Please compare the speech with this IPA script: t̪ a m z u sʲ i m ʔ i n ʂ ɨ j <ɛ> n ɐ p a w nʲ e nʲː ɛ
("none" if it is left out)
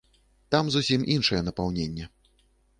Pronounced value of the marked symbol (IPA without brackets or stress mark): ɛ